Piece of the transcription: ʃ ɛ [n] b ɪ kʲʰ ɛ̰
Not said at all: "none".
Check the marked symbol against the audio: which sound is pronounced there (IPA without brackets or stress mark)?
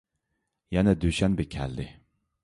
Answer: n